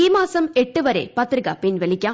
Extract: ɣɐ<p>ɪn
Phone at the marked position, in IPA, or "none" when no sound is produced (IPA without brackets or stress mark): p